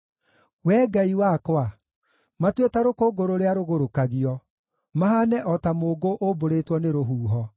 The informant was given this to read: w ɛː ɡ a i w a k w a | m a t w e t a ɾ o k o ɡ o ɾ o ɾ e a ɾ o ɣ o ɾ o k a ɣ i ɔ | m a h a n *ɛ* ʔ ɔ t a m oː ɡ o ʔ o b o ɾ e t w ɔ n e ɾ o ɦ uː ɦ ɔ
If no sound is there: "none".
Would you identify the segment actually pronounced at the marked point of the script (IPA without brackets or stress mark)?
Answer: ɛ